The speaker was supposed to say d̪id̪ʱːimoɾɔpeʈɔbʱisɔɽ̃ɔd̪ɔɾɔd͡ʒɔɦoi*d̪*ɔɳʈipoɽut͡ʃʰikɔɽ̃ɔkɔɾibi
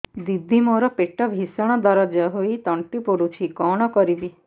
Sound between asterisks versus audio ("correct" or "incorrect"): incorrect